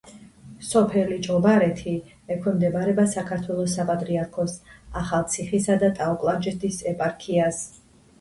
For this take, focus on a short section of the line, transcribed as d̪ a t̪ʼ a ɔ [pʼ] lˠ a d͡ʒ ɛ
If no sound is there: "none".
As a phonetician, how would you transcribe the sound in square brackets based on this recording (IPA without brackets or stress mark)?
kʼ